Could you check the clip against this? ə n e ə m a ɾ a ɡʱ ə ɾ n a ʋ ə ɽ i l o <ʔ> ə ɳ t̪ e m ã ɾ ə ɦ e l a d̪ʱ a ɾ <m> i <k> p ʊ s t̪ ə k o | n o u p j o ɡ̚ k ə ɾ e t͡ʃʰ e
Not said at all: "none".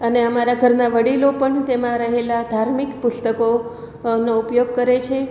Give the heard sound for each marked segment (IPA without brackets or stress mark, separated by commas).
p, m, k